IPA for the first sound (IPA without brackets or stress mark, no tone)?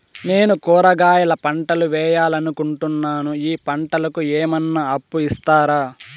n